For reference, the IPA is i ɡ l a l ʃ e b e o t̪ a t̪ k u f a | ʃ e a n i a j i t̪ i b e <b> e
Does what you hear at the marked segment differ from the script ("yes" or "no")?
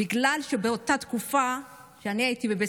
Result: no